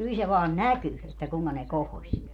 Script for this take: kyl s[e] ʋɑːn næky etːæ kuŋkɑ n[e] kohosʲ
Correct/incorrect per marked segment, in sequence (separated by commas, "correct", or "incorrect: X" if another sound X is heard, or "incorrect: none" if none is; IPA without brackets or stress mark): correct, correct